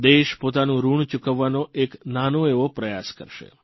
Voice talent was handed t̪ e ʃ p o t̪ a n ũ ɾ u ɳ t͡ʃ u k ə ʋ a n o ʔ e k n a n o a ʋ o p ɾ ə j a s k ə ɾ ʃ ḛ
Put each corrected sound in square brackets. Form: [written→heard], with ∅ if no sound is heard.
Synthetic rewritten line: [t̪→d̪] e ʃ p o t̪ a n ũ ɾ u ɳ t͡ʃ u k ə [ʋ→ʋː] a n o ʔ e k n a n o [a→e] ʋ o p ɾ ə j a s k ə ɾ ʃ ḛ

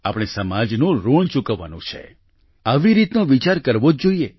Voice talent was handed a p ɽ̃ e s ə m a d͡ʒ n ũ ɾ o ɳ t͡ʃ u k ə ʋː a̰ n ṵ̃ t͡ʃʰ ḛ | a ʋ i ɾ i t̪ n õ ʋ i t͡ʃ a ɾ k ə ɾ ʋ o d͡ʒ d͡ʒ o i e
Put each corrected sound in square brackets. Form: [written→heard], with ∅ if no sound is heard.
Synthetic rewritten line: a p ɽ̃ e s ə m a d͡ʒ n ũ ɾ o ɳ t͡ʃ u k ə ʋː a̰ n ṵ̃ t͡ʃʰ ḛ | a ʋ i ɾ i t̪ n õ ʋ i t͡ʃ a ɾ k ə ɾ ʋ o d͡ʒ d͡ʒ o i e

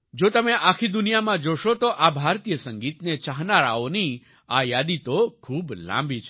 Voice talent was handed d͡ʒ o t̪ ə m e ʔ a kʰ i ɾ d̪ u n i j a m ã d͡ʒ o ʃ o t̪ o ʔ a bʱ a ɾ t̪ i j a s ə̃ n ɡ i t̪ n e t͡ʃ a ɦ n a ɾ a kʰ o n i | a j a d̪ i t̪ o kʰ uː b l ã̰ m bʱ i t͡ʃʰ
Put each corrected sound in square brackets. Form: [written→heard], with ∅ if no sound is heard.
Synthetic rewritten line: d͡ʒ o t̪ ə m e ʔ a kʰ i [ɾ→∅] d̪ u n i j a m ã d͡ʒ o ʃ o t̪ o ʔ a bʱ a ɾ t̪ i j [a→ə] s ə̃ [n→ŋ] ɡ i t̪ n e t͡ʃ a ɦ n a ɾ a [kʰ→∅] o n i | a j a d̪ i t̪ o kʰ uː b l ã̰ m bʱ i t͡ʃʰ

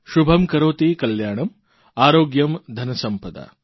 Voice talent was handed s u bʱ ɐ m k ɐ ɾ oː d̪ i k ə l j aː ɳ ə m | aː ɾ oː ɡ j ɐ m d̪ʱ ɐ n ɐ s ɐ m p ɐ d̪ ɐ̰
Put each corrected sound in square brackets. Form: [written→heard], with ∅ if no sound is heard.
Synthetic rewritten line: [s→ʃ] u bʱ ɐ m k ɐ ɾ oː [d̪→t̪] i k [ə→ɐ] l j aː ɳ [ə→ɐ] m | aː ɾ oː ɡ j ɐ m d̪ʱ ɐ n ɐ s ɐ m p ɐ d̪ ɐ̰

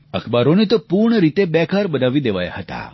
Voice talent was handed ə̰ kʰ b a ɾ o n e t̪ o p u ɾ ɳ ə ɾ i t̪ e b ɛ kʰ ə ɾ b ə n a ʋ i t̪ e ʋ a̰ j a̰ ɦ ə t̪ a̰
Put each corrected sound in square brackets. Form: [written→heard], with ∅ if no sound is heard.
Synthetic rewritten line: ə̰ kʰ b a ɾ o n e t̪ o p u ɾ ɳ ə ɾ i t̪ e b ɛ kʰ [ə→a] ɾ b ə n a ʋ i [t̪→d̪] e ʋ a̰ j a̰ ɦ ə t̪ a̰

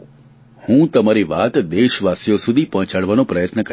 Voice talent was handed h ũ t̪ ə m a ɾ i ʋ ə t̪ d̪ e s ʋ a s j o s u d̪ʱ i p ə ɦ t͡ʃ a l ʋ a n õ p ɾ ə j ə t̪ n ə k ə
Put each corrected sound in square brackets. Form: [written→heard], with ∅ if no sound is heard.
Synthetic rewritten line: h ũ t̪ ə m a ɾ i ʋ [ə→a] t̪ d̪ e [s→ʃ] ʋ a s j o s u d̪ʱ i p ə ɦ t͡ʃ a [l→ɽ] ʋ a n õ p ɾ ə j ə t̪ n ə k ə

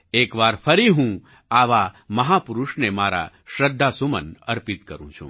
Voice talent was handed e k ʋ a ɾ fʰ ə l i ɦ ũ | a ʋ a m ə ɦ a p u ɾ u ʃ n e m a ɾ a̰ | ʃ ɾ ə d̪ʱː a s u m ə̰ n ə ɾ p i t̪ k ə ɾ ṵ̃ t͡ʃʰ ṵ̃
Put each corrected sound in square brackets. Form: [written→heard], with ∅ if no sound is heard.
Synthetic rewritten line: e k ʋ a ɾ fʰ ə [l→ɾ] i ɦ ũ | a ʋ a m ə ɦ a p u ɾ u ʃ n e m a ɾ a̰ | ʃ ɾ ə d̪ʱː a s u m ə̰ n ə ɾ p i t̪ k ə ɾ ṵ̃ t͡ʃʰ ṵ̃

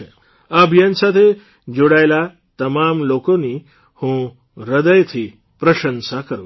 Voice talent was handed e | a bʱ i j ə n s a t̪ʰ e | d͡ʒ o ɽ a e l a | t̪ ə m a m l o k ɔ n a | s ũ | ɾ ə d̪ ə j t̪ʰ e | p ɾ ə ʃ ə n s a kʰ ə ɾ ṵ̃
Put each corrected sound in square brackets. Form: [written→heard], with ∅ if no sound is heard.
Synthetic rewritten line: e | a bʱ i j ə n s a t̪ʰ e | d͡ʒ o ɽ a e l a | t̪ ə m a m l o k [ɔ→o] n [a→i] | [s→h] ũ | ɾ ə d̪ ə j t̪ʰ [e→i] | p ɾ ə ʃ ə n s a [kʰ→k] ə ɾ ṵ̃

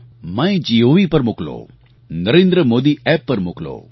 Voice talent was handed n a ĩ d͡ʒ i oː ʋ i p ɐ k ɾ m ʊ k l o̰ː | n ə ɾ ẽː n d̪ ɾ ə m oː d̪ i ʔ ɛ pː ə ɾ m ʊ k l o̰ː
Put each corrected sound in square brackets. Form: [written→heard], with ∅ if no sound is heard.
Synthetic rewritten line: [n→m] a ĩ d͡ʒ i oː ʋ i p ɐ [k→∅] ɾ m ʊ k l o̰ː | n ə ɾ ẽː n d̪ ɾ ə m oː d̪ i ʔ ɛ pː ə ɾ m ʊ k l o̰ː

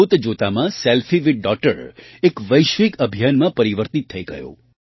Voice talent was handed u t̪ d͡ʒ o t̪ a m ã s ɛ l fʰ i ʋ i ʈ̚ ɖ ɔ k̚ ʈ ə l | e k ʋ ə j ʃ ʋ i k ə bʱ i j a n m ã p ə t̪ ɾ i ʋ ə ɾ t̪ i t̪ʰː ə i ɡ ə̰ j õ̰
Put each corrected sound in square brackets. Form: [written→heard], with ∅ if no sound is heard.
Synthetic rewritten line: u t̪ d͡ʒ o t̪ a m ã s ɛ l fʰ i ʋ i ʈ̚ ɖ ɔ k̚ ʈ ə [l→ɾ] | e k ʋ ə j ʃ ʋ i k ə bʱ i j a n m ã p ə [t̪→∅] ɾ i ʋ ə ɾ t̪ i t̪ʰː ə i ɡ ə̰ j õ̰

